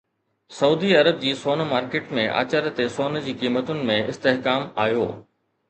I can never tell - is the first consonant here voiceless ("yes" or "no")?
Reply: yes